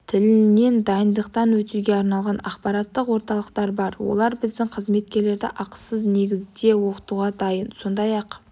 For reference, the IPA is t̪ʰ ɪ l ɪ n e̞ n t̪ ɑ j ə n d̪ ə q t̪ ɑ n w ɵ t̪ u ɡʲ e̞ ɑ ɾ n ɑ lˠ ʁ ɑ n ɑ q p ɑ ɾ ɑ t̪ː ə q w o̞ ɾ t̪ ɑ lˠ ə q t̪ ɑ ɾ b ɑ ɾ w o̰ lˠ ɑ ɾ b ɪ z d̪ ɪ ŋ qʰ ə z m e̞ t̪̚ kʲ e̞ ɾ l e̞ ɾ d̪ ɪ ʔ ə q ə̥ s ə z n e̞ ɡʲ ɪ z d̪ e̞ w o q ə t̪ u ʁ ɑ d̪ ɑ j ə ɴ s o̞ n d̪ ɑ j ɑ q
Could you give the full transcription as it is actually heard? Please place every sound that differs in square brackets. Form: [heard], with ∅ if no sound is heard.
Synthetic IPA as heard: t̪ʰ ɪ l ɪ n e̞ n [d̪] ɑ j ə n d̪ ə q t̪ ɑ n w ɵ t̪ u ɡʲ e̞ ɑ ɾ n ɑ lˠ ʁ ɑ n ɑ q p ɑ ɾ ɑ t̪ː ə q w o̞ ɾ t̪ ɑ lˠ ə q t̪ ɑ ɾ b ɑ ɾ w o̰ lˠ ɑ ɾ b ɪ z d̪ ɪ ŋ qʰ ə z m e̞ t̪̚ kʲ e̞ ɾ l e̞ ɾ d̪ ɪ ʔ [ɑ] q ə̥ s ə z n e̞ ɡʲ ɪ z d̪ e̞ w o q ə t̪ u ʁ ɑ d̪ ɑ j ə [n] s o̞ n d̪ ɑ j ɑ q